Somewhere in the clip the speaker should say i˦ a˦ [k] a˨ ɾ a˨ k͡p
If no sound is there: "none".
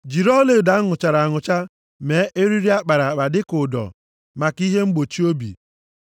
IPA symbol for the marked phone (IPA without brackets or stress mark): k͡p